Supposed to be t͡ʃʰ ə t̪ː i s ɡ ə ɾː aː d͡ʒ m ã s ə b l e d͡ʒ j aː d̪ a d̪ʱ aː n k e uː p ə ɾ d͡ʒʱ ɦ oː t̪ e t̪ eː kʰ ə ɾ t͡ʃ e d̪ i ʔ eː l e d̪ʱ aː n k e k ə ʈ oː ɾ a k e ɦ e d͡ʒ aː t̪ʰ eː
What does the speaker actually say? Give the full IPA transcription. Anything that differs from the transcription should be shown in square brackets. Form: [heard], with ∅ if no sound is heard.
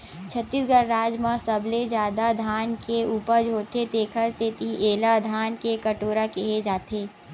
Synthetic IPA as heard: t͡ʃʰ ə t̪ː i s ɡ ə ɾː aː d͡ʒ m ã s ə b l e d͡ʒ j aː d̪ a d̪ʱ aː n k e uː p ə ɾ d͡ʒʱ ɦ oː t̪ e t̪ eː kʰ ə ɾ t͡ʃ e [t̪] i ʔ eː l [a] d̪ʱ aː n k e k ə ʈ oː ɾ a k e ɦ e d͡ʒ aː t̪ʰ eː